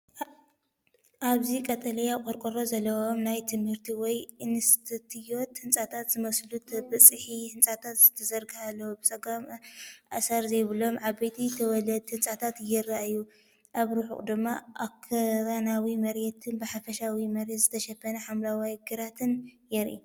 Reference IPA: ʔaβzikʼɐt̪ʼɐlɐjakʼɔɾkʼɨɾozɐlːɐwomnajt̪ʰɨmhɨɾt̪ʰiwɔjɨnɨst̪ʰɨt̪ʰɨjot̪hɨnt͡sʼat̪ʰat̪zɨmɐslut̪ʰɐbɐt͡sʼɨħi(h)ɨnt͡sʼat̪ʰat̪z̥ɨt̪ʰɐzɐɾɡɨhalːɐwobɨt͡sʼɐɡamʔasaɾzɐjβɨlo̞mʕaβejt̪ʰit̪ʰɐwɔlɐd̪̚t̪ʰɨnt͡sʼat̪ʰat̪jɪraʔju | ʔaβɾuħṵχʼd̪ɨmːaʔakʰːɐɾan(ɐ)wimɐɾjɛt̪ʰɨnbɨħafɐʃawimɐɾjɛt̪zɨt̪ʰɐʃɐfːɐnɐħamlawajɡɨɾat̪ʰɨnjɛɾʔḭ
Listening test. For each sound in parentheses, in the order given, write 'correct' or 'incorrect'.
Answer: correct, incorrect

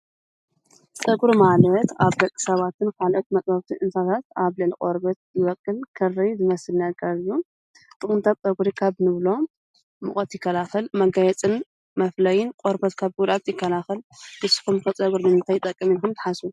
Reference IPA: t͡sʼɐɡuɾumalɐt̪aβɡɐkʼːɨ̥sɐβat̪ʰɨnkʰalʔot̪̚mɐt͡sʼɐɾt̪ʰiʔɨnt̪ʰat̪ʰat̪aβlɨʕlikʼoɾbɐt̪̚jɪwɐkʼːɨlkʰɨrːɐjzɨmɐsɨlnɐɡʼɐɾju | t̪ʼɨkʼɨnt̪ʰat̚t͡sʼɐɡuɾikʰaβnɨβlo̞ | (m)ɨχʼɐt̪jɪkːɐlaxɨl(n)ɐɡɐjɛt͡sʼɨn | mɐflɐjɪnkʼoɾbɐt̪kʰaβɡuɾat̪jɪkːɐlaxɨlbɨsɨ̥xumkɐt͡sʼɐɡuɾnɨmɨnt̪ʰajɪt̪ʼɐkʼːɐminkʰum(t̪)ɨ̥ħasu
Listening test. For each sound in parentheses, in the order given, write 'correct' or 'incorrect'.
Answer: correct, incorrect, correct

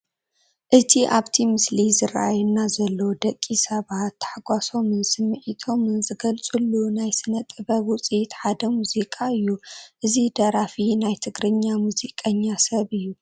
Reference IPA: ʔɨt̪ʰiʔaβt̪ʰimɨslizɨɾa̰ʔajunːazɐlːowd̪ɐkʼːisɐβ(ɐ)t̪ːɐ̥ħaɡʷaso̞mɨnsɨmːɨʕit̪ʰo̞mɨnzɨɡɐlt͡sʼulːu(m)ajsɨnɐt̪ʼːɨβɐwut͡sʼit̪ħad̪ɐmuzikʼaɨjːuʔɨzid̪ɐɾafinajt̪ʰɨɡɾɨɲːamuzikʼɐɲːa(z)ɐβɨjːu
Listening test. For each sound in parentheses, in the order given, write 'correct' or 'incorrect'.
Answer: incorrect, incorrect, incorrect

